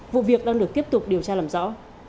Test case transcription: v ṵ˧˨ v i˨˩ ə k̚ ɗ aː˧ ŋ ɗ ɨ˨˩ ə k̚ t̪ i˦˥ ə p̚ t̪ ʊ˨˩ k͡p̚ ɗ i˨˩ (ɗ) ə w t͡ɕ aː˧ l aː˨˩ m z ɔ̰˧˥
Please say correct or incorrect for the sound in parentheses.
incorrect